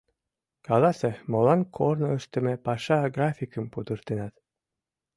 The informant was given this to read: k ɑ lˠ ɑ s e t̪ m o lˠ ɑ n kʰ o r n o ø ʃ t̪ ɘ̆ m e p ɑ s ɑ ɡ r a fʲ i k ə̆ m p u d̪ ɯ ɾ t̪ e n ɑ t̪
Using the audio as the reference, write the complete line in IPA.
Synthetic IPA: k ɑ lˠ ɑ s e m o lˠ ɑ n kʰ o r n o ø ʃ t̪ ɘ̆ m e p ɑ ʃ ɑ ɡ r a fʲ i k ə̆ m p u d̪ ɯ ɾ t̪ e n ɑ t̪

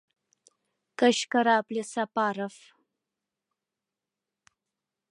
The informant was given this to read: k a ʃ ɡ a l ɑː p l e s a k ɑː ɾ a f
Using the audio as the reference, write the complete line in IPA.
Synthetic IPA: k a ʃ k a ɾ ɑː p l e s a p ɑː ɾ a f

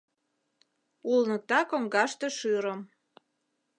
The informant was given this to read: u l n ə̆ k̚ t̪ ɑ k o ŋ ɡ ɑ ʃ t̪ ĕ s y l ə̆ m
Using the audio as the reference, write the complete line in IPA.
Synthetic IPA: u l n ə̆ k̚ t̪ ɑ k o ŋ ɡ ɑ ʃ t̪ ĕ ʃ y ɾ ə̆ m

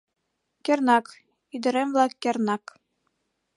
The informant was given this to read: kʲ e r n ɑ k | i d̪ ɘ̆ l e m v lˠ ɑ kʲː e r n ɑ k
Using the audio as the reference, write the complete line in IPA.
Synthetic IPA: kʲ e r n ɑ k | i d̪ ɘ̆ ɾ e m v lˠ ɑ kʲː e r n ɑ k

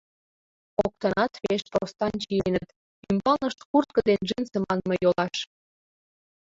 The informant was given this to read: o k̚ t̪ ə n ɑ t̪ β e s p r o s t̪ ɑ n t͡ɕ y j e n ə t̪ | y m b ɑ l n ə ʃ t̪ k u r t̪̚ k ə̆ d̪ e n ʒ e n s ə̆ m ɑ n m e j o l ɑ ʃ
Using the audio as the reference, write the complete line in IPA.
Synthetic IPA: o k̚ t̪ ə n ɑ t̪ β e ʃ p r o s t̪ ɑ n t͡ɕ i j e n ə t̪ | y m b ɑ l n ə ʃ t̪ k u r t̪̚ k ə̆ d̪ e n ʒ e n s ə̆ m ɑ n m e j o l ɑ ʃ

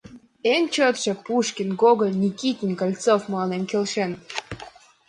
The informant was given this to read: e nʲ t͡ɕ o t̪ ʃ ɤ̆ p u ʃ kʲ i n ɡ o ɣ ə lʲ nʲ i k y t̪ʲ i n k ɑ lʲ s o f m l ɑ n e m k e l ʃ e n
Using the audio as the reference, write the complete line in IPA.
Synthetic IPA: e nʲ t͡ɕ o t̪ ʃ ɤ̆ p u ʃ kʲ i n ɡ o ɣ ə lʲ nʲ i k i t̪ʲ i n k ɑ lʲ t͡s o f m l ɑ n e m k e l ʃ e n

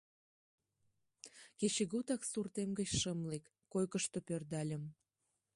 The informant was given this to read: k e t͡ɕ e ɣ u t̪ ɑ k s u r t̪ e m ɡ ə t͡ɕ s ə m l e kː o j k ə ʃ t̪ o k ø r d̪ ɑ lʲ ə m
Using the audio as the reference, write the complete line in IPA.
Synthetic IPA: k e t͡ɕ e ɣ u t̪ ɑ k s u r t̪ e m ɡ ə t͡ɕ ʃ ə m l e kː o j k ə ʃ t̪ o p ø r d̪ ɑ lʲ ə m

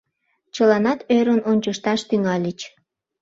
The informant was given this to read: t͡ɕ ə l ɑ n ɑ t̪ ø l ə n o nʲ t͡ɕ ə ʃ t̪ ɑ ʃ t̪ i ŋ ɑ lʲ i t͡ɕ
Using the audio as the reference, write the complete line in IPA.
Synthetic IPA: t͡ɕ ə l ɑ n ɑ t̪ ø ɾ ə n o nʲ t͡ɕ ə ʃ t̪ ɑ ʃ t̪ y ŋ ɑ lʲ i t͡ɕ

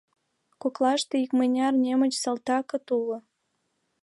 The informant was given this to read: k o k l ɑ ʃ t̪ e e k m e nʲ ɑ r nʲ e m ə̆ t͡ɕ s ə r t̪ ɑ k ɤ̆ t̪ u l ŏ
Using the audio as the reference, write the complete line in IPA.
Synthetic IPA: k o k l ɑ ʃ t̪ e i k m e nʲ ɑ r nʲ e m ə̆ t͡ɕ s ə l t̪ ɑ k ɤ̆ t̪ u l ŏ

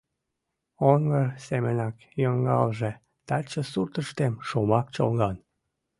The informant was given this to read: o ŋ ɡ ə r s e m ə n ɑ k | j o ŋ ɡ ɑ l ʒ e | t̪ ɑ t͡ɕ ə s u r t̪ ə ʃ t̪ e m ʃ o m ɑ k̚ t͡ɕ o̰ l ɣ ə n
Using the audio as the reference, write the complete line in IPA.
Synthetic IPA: o ŋ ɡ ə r s e m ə n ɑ k | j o ŋ ɡ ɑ l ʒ e | t̪ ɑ t͡ɕ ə s u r t̪ ə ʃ t̪ e m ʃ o m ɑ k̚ t͡ɕ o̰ l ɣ ɑ n

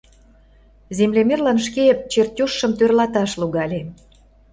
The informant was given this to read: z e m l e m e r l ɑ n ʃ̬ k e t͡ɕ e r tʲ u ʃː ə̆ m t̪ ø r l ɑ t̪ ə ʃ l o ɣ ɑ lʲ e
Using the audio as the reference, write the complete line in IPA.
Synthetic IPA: z e m l e m e r l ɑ n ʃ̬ k e t͡ɕ e r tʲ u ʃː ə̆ m t̪ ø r l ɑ t̪ ɑ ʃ l u ɣ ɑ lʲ e

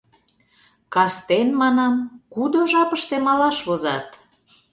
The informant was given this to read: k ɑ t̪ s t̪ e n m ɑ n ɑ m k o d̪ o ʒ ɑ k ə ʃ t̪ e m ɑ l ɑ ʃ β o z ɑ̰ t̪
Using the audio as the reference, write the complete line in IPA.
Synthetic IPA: k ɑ s t̪ e n m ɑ n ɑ m k u d̪ o ʒ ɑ p ə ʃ t̪ e m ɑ l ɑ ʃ β o z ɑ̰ t̪

